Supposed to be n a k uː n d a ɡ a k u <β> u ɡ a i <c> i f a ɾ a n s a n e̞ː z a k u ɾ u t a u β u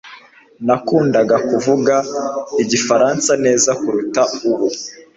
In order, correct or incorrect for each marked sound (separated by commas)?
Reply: incorrect, incorrect